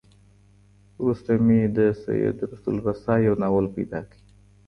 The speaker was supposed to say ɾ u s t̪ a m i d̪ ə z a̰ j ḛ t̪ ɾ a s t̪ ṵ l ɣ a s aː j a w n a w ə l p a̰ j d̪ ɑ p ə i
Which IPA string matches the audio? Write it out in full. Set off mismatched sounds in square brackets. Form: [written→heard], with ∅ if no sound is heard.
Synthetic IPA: ɾ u s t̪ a m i d̪ ə [z→s] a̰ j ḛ [t̪→d̪] ɾ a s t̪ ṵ l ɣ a s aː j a w n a w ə l p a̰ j d̪ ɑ [p→k] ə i